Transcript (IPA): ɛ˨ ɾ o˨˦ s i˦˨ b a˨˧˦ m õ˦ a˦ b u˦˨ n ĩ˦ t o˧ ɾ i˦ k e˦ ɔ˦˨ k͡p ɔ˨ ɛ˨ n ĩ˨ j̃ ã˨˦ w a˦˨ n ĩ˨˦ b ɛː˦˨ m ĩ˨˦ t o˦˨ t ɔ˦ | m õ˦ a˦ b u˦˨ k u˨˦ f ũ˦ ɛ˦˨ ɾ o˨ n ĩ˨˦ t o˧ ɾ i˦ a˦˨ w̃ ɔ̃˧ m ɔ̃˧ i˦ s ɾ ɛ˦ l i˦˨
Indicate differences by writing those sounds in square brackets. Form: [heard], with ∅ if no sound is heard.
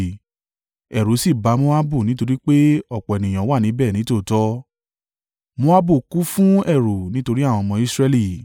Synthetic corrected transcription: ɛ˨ ɾ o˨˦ s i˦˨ b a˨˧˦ m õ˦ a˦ b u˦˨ n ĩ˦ t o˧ ɾ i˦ [k͡p] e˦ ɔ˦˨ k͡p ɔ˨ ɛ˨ n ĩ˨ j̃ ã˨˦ w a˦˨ n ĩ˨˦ b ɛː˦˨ [n] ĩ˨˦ t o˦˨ t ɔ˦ | m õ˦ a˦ b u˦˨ k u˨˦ f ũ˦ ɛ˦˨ ɾ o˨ n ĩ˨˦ t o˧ ɾ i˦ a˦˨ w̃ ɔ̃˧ m ɔ̃˧ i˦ s ɾ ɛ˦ l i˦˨

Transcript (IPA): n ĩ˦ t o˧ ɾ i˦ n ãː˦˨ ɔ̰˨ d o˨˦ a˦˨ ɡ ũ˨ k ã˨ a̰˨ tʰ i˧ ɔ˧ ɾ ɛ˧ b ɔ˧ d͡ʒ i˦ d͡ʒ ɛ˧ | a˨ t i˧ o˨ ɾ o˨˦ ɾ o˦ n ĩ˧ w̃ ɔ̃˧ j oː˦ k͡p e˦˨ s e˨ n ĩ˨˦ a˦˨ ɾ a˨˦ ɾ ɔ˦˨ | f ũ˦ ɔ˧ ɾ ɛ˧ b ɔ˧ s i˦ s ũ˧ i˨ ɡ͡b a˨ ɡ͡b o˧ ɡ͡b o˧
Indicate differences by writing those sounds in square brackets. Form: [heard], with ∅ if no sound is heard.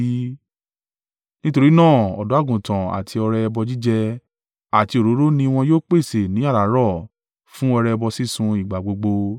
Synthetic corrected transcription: n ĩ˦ t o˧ ɾ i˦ n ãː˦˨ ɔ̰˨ d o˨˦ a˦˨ ɡ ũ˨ [t] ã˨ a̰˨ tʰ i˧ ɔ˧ ɾ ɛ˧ b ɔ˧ d͡ʒ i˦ d͡ʒ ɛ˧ | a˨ t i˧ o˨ ɾ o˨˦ ɾ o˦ n ĩ˧ w̃ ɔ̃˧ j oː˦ k͡p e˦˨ s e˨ n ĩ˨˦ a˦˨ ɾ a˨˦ ɾ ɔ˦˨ | f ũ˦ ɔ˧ ɾ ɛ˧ b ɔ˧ s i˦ s ũ˧ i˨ ɡ͡b a˨ ɡ͡b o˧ ɡ͡b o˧

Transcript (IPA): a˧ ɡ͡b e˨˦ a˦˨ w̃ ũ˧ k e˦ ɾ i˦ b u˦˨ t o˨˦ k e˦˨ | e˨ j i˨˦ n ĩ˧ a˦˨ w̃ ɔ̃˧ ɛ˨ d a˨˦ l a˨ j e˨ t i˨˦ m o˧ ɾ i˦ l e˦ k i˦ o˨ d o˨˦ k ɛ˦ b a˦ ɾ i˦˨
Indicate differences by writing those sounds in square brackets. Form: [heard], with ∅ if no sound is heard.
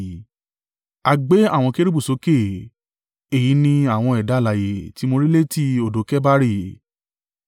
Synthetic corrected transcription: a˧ ɡ͡b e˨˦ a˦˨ w̃ [ɔ̃˧] k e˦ ɾ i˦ b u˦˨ [s] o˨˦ k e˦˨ | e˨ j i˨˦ n ĩ˧ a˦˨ w̃ ɔ̃˧ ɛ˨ d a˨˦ l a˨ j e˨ t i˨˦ m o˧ ɾ i˦ l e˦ [t] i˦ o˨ d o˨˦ k ɛ˦ b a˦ ɾ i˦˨

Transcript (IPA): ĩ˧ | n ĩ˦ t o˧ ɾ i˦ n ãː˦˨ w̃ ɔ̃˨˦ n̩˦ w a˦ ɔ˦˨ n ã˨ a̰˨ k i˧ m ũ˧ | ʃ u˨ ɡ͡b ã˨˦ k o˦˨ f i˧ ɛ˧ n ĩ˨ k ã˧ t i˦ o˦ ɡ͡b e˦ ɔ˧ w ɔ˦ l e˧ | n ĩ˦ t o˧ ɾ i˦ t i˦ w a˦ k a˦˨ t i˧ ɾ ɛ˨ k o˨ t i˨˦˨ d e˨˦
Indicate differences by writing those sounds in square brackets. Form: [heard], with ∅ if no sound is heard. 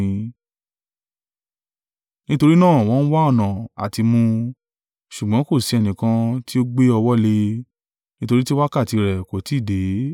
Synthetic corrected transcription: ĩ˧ | n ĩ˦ t o˧ ɾ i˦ n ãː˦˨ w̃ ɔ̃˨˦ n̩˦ w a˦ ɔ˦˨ n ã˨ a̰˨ [t] i˧ m ũ˧ | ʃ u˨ ɡ͡b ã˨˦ k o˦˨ [s] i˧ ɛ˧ n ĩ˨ k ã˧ t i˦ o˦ ɡ͡b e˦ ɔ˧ w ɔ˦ l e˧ | n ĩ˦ t o˧ ɾ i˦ t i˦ w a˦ k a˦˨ t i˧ ɾ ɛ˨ k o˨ t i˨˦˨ d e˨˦

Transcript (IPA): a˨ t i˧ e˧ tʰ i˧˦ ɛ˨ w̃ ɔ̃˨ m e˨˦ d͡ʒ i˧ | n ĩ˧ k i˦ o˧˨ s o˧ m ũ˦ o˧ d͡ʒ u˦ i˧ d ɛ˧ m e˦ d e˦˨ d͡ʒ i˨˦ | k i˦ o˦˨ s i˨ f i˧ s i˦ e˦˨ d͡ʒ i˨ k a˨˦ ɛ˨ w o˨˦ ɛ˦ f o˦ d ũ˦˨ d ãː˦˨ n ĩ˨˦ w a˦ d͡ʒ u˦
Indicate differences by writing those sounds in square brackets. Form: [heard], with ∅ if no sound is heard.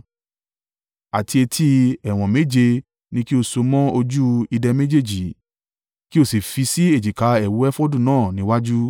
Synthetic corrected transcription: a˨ t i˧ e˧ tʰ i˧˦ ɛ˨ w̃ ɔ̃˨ m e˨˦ d͡ʒ [e˧] | n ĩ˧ k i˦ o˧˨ s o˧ m [ɔ̃˦] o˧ d͡ʒ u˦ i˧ d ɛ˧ m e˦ [d͡ʒ] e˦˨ d͡ʒ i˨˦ | k i˦ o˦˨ s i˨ f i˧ s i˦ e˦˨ d͡ʒ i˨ k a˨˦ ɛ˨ w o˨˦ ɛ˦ f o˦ d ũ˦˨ [n] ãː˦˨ n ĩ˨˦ w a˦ d͡ʒ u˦

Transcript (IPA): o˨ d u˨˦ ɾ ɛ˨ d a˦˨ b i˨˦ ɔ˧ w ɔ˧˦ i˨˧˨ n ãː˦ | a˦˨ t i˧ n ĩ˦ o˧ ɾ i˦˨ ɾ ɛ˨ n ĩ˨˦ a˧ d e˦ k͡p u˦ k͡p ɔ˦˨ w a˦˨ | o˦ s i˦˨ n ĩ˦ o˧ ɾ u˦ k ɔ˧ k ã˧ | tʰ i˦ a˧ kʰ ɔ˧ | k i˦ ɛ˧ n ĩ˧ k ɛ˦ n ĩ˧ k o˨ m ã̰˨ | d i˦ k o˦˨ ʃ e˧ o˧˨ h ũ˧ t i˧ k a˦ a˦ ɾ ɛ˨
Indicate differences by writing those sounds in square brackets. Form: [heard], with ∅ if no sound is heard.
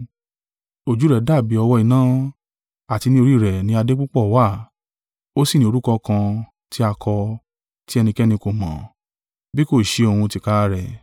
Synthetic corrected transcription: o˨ [d͡ʒ] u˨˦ ɾ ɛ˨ d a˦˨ b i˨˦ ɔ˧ w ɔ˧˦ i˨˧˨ n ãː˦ | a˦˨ t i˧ n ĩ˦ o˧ ɾ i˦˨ ɾ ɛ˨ n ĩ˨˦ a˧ d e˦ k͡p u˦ k͡p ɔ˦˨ w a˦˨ | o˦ s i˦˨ n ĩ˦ o˧ ɾ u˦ k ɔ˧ k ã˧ | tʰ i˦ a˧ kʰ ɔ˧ | [t] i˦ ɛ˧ n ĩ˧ k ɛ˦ n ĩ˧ k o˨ m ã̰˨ | [b] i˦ k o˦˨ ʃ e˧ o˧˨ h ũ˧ t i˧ k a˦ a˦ ɾ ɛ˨

